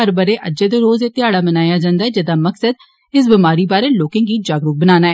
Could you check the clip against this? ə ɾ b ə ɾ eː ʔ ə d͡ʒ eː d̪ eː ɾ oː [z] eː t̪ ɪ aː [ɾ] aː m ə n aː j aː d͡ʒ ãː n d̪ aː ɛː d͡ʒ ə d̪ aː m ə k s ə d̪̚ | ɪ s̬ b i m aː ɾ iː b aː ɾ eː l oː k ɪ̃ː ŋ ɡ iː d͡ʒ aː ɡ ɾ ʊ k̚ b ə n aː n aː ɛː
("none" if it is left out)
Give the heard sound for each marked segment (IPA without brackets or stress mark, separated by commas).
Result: z, ɽ